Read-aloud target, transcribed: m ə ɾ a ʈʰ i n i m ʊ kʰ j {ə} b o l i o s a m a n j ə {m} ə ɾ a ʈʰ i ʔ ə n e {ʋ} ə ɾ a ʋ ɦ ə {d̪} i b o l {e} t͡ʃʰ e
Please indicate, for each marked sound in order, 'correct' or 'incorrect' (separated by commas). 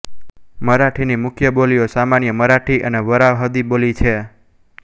correct, correct, correct, correct, incorrect